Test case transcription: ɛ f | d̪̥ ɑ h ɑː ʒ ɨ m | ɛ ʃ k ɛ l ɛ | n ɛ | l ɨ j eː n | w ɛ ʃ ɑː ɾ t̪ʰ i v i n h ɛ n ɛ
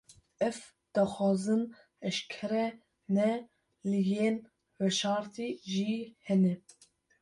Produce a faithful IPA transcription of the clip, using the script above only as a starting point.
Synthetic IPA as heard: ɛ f | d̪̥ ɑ x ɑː z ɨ n | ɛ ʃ kʰ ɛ ɾ ɛ | n ɛ | l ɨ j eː n | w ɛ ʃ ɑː ɾ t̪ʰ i ʒ i h ɛ n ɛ